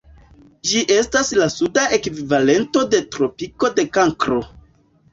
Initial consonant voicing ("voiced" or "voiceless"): voiced